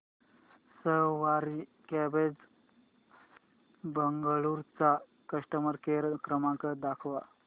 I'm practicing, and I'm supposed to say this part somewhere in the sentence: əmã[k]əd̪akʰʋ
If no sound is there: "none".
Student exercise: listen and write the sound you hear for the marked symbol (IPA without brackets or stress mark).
k